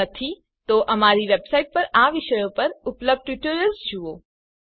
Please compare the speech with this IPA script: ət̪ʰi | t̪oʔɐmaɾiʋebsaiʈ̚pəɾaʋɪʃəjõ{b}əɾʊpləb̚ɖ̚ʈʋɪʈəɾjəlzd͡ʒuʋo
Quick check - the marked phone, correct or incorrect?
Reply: incorrect